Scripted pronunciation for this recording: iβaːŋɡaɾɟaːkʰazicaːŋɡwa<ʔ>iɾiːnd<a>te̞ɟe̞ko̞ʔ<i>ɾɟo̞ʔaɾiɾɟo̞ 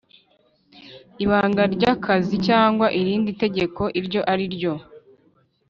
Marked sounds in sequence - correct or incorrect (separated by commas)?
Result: correct, incorrect, correct